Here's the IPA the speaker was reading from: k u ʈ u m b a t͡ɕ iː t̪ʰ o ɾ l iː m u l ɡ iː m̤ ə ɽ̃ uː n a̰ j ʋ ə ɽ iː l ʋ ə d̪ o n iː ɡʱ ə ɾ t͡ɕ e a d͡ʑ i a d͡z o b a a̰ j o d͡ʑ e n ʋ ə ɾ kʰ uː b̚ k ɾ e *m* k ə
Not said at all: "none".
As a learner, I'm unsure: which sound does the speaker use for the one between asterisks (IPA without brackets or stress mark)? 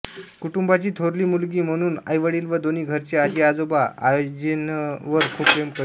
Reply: m